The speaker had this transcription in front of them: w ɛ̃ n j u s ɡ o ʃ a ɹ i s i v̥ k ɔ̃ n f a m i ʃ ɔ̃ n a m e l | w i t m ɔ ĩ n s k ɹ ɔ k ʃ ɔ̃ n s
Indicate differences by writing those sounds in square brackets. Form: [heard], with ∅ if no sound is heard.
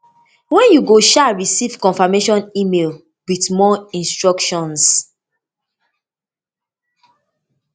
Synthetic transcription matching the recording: w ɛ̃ n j u [∅] ɡ o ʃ a ɹ i s i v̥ k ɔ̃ n f a m [e] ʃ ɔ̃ n [i] m e l | w i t m ɔ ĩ n s [t] ɹ ɔ k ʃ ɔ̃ n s